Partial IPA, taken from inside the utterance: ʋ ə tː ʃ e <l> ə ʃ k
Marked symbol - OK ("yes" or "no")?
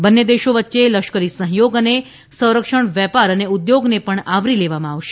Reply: yes